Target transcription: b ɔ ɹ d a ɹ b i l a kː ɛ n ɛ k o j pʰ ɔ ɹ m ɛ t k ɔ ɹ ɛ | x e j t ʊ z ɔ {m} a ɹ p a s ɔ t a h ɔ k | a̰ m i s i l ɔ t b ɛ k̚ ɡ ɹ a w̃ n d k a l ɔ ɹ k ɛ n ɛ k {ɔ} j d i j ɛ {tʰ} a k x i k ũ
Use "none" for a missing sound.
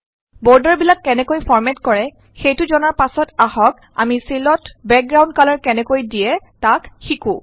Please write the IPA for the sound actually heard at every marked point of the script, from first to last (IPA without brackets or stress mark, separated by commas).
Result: n, o, t